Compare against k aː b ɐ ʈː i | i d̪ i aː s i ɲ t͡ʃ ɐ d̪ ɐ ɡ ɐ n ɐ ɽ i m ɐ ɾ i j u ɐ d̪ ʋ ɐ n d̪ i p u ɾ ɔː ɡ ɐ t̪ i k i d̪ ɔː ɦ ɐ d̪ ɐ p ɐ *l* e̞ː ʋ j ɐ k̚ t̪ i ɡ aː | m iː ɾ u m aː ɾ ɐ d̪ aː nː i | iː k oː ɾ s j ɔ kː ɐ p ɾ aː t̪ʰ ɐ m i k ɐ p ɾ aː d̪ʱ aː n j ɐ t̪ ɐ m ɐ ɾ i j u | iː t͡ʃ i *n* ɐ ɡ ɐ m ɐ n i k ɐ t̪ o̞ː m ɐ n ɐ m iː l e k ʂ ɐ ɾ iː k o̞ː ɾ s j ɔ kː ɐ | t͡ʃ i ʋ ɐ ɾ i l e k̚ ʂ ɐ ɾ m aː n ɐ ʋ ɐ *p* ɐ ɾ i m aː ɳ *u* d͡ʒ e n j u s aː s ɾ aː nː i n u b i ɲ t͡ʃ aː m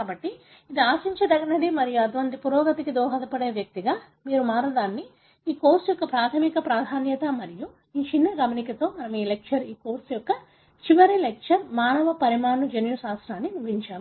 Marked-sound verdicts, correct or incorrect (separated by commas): incorrect, incorrect, correct, correct